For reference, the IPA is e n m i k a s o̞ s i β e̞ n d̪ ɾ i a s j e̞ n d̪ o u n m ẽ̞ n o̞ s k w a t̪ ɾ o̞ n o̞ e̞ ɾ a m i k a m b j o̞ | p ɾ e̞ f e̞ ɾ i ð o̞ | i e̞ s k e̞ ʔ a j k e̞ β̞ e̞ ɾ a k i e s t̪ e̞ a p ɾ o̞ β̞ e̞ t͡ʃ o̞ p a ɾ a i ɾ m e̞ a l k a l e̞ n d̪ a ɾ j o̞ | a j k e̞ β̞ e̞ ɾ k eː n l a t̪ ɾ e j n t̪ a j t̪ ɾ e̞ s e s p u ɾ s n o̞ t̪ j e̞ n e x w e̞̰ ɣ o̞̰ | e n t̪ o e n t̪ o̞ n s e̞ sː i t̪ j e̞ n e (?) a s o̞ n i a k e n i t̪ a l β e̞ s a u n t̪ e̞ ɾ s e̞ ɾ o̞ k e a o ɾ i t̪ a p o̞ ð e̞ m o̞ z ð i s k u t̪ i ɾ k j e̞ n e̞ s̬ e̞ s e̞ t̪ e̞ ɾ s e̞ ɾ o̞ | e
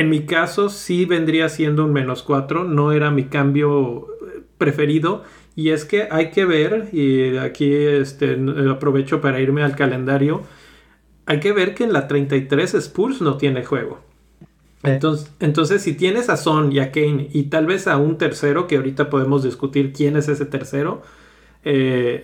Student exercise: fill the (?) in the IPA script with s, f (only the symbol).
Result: s